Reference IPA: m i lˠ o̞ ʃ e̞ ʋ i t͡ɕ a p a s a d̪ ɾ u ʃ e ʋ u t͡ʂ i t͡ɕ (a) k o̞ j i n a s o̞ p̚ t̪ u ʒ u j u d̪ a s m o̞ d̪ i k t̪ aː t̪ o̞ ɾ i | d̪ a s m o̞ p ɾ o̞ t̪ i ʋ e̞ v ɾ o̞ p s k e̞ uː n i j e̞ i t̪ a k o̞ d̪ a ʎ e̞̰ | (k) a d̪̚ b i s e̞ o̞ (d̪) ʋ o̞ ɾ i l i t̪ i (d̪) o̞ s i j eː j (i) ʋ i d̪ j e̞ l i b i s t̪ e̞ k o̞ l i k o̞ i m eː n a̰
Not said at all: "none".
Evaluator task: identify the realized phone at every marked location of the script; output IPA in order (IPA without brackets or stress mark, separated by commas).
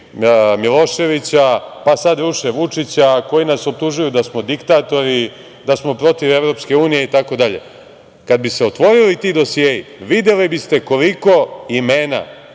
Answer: a, k, t̪, d̪, i